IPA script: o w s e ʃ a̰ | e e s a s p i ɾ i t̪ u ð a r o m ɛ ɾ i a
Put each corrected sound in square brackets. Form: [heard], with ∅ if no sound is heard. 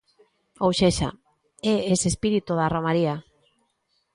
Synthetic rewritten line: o w [ʃ] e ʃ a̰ | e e s [e] s p i ɾ i t̪ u ð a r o m [a] ɾ i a